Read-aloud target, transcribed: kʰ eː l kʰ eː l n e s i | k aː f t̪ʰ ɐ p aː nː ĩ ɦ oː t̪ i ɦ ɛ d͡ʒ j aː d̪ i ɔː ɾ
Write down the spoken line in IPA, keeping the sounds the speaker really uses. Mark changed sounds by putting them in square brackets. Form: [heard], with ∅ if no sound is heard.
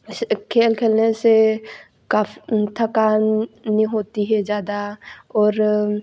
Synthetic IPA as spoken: kʰ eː l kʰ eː l n e s [e] | k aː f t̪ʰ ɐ [k] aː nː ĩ ɦ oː t̪ i ɦ ɛ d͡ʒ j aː d̪ [a] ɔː ɾ